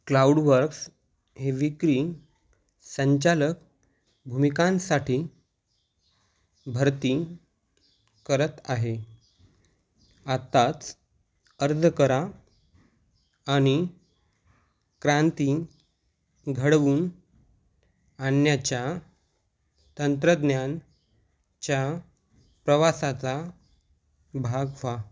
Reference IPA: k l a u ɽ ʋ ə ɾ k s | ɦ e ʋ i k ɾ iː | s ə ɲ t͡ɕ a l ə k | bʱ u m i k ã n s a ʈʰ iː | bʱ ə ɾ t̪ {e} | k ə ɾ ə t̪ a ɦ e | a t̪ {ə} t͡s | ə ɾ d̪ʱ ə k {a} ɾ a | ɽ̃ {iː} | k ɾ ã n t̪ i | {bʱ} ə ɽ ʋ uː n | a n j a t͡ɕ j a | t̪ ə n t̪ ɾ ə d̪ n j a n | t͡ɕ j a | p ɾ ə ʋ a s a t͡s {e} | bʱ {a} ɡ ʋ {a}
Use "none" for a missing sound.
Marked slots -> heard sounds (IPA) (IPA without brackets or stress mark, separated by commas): i, a, ə, i, ɡʱ, a, a, a